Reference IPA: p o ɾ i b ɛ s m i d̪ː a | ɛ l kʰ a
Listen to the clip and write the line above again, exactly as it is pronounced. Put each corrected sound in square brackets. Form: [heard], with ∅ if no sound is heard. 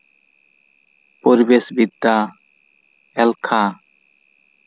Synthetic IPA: p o ɾ i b [e] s [b] i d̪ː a | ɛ l kʰ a